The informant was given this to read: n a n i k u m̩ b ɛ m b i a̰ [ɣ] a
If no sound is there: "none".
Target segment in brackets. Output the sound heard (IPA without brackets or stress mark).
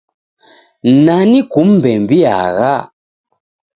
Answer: ɣ